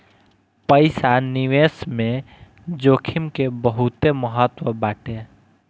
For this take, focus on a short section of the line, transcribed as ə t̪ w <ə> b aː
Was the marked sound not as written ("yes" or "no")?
no